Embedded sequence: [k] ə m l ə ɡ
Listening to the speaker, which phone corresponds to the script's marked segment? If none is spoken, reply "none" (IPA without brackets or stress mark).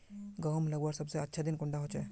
ɡ